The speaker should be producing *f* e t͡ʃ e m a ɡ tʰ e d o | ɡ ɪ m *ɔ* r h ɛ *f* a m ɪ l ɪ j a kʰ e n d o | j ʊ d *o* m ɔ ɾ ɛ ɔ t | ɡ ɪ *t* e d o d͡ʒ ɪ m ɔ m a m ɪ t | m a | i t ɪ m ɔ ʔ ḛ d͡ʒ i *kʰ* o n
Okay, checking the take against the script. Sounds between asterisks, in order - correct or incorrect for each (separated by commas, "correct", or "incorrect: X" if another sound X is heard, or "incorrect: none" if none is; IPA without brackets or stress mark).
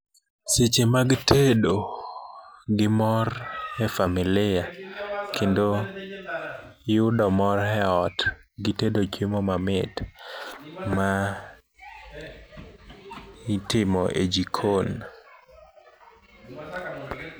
incorrect: s, correct, correct, incorrect: ɔ, correct, correct